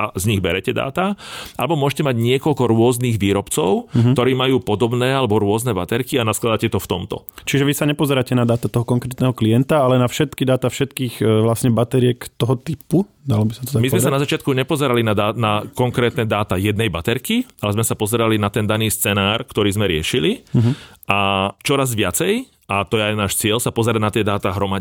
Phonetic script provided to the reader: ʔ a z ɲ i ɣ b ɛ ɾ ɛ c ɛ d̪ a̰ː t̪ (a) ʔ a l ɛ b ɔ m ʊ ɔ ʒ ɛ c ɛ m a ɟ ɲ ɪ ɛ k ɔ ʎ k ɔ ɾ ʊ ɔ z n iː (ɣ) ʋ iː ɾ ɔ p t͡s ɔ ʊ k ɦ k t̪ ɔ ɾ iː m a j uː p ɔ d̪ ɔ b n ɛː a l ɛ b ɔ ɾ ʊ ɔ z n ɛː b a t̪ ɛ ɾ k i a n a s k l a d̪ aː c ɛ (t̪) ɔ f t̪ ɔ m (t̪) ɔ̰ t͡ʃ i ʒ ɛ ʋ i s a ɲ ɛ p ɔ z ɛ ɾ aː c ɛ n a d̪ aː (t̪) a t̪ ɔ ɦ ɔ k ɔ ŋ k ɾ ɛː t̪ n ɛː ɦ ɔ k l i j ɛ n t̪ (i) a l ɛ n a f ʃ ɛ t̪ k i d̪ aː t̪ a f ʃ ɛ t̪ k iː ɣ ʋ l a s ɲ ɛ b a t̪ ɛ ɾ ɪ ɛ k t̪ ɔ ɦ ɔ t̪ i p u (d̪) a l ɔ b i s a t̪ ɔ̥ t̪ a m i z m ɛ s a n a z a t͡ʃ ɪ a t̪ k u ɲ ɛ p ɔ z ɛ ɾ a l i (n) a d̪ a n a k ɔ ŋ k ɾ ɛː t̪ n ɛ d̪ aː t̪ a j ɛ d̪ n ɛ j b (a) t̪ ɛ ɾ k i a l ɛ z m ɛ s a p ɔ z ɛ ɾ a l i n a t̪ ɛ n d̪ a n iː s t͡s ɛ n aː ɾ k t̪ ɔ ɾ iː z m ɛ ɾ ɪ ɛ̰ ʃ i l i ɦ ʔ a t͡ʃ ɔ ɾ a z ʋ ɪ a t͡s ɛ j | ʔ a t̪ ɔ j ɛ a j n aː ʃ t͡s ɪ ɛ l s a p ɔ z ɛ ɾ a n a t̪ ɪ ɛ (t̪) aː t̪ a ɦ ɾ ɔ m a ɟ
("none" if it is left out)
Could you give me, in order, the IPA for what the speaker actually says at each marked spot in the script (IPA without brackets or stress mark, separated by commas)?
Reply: a, ɣ, t̪, t̪, t̪, a, d̪, n, a, d̪